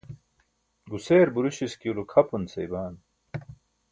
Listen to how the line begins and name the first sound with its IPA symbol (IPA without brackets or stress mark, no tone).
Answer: ɡ